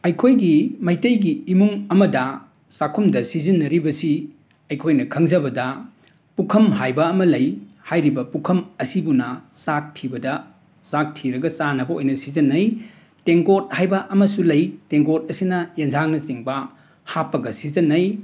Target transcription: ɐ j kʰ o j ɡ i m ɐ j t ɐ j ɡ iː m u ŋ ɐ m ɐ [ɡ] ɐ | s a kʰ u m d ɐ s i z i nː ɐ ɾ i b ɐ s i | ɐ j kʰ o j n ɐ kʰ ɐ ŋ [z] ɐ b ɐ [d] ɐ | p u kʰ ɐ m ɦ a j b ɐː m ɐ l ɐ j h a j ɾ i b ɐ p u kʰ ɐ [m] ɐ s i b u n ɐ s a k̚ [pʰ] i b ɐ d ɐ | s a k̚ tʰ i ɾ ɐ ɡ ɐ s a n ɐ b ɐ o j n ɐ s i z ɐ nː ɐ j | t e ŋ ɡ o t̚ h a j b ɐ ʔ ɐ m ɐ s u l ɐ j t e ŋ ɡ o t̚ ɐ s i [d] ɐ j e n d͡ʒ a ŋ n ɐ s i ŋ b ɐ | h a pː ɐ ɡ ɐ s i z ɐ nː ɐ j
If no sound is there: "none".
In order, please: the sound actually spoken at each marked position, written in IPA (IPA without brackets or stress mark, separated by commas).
d, z, d, m, tʰ, n